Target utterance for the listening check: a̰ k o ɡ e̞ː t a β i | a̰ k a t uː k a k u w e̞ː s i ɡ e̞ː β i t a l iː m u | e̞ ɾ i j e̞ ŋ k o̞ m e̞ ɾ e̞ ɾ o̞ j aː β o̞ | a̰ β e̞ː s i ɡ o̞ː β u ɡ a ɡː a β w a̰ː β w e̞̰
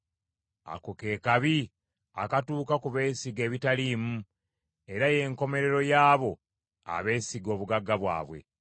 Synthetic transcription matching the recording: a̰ k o k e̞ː k a β i | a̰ k a t uː k a k u β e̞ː s i ɡ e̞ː β i t a l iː m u | e̞ ɾ a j e̞ ŋ k o̞ m e̞ ɾ e̞ ɾ o̞ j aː β o̞ | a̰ β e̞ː s i ɡ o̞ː β u ɡ a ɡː a β w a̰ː β w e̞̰